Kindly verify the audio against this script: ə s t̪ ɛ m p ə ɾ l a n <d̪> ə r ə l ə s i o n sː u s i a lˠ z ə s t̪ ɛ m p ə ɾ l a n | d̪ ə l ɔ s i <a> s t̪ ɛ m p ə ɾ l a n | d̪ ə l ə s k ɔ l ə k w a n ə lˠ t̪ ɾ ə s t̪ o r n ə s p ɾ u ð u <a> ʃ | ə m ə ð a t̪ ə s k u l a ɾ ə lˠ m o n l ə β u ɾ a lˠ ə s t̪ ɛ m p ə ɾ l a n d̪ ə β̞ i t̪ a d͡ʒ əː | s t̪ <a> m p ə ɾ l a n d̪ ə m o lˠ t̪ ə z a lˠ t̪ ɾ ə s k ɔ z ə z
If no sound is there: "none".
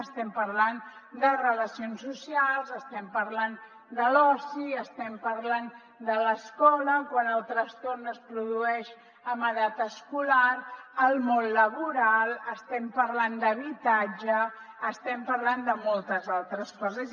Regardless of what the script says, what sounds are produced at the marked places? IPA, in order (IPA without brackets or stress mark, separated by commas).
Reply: d̪, ə, ɛ, ɛ